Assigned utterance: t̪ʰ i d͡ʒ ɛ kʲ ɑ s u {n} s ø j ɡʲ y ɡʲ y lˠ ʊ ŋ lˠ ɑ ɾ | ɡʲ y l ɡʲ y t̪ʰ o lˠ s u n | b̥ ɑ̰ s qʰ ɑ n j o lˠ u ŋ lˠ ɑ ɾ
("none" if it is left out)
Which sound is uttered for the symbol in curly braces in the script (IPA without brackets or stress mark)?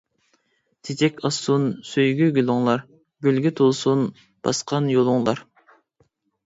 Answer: n